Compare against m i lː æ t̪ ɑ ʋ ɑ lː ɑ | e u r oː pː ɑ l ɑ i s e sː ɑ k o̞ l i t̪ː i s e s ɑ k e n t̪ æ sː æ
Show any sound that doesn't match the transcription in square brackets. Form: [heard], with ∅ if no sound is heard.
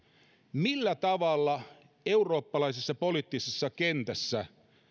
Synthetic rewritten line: m i lː æ t̪ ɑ ʋ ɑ lː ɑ | e u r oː pː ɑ l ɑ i s e sː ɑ [p] o̞ l i t̪ː i s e [sː] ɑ k e n t̪ æ sː æ

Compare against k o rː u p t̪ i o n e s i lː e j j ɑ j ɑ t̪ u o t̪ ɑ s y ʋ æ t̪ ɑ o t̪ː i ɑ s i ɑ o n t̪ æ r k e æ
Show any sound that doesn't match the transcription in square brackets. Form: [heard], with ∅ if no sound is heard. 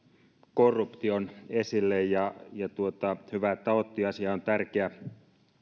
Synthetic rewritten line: k o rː u p t̪ i o n e s i lː e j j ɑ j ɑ t̪ u o t̪ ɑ [h] y ʋ æ t̪ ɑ o t̪ː i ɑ s i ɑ o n t̪ æ r k e æ

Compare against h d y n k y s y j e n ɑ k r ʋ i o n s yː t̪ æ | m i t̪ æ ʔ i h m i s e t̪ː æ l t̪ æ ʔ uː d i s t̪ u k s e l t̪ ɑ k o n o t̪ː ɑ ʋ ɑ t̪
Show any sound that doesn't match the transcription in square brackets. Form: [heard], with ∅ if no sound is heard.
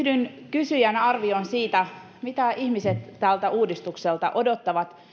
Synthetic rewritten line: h d y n k y s y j [æ] n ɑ [∅] r ʋ i o n s [iː] t̪ æ | m i t̪ æ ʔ i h m i s e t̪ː æ l t̪ æ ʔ uː d i s t̪ u k s e l t̪ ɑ [ʔ] o [d] o t̪ː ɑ ʋ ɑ t̪

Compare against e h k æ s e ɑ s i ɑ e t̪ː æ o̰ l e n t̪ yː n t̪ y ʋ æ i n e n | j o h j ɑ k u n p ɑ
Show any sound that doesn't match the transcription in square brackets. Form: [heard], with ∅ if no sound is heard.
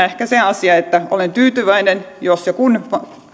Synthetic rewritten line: e h k æ s e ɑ s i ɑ e t̪ː æ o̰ l e n t̪ yː [∅] t̪ y ʋ æ i n e n | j o [s] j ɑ k u n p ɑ

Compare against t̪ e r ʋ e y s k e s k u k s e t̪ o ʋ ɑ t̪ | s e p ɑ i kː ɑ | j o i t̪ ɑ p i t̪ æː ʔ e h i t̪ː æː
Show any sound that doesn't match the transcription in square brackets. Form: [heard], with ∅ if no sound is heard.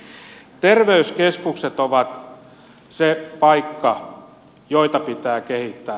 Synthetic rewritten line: t̪ e r ʋ e y s k e s k u k s e t̪ o ʋ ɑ t̪ | s e p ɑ i kː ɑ | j o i t̪ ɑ p i t̪ æː [k] e h i t̪ː æː

